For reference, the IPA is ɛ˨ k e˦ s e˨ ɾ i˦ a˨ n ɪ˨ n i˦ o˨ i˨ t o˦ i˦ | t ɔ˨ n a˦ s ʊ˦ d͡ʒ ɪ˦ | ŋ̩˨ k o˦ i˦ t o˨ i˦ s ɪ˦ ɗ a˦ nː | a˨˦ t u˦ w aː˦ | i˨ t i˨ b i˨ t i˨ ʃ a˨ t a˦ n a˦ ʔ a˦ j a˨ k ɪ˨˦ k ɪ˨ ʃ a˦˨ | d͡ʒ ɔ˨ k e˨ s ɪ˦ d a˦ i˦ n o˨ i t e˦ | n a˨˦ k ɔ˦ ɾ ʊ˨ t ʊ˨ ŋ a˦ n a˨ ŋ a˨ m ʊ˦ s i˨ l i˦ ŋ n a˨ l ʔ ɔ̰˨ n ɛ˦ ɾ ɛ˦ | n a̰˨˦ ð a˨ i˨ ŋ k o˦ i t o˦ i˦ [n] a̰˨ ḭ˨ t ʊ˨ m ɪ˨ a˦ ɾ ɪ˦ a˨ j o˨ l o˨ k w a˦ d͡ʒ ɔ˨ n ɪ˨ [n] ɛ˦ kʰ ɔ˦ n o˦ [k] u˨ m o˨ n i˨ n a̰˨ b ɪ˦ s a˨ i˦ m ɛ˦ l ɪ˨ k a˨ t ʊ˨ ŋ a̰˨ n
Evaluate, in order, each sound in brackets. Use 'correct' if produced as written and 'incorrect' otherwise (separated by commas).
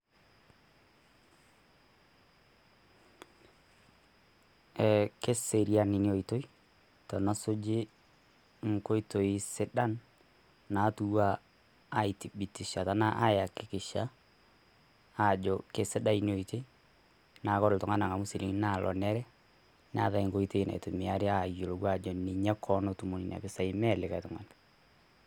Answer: correct, incorrect, incorrect